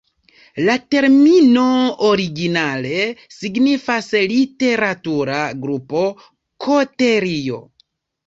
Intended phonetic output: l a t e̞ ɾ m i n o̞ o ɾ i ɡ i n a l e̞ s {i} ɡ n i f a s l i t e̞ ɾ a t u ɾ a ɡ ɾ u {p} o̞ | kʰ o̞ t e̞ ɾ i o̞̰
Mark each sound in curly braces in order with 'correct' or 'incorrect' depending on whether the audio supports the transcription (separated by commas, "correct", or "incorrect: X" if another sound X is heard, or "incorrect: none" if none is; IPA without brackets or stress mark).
correct, correct